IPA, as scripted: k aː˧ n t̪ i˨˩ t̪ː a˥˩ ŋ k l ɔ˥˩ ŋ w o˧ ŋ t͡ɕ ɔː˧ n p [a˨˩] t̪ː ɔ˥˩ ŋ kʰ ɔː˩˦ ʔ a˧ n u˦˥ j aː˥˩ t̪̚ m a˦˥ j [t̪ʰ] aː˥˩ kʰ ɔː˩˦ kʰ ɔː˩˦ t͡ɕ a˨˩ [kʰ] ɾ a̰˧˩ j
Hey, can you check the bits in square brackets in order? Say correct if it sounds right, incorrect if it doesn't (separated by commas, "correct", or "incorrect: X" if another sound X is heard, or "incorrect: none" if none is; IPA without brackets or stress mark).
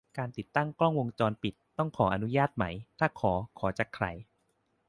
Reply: incorrect: i˨˩, correct, correct